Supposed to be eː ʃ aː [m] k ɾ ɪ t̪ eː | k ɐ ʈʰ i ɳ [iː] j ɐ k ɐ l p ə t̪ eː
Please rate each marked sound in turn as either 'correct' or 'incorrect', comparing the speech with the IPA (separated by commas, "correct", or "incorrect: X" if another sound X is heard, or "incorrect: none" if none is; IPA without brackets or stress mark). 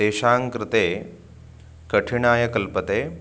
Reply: incorrect: ŋ, incorrect: aː